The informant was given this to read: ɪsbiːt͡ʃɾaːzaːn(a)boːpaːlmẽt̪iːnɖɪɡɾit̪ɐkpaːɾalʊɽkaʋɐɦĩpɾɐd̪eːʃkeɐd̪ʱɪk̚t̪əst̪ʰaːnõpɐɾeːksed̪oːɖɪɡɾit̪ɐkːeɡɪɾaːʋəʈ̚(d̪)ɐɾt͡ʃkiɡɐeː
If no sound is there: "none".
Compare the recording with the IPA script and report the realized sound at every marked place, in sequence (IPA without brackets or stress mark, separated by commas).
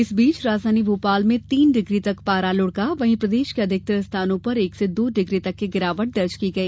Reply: i, d̪